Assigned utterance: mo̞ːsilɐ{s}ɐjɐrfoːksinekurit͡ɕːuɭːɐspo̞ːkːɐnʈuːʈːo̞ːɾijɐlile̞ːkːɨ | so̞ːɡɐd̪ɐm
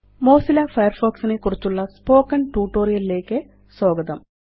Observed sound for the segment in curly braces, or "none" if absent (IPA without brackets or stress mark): f